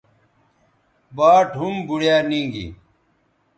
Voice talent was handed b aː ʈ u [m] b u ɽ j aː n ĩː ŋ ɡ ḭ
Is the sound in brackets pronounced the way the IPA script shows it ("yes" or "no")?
yes